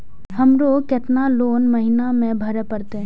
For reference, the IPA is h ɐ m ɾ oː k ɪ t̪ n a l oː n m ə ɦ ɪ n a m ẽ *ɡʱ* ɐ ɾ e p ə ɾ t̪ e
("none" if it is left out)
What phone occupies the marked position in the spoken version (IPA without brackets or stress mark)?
bʱ